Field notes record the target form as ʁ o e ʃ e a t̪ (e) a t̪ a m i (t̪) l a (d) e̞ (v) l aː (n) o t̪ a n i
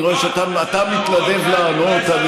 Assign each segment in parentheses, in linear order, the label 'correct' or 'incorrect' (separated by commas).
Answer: incorrect, correct, correct, correct, correct